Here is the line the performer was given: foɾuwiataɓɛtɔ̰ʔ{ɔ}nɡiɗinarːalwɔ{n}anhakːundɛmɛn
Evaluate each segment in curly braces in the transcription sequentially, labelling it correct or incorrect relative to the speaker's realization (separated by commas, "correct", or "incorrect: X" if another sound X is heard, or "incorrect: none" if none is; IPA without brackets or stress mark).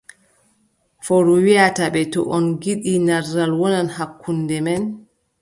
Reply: correct, correct